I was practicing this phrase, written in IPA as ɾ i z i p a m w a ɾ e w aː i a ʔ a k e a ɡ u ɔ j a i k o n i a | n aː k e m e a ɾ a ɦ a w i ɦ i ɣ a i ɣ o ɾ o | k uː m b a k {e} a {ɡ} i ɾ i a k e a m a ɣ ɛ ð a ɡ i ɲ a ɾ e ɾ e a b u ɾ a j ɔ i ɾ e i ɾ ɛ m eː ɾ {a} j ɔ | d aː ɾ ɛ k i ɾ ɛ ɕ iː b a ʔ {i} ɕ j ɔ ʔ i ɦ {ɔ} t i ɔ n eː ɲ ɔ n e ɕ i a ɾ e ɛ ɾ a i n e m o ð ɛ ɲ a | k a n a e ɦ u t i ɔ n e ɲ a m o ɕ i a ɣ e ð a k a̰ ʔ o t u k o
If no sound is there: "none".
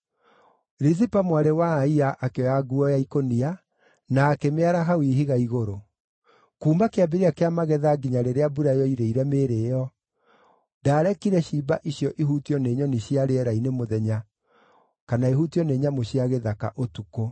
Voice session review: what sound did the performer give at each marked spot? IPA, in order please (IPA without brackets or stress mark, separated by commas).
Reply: e, b, e, i, u